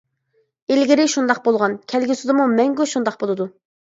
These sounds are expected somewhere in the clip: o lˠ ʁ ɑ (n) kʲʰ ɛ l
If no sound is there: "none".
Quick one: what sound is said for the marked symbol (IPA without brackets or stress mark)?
n